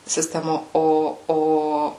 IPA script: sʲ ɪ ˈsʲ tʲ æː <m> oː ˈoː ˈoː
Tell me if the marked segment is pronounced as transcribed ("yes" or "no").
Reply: yes